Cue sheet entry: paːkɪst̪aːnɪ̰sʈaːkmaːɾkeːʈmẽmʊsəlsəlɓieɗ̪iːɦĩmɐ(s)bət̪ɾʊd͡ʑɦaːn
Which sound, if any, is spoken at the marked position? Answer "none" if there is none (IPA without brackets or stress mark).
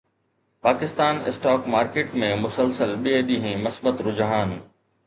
s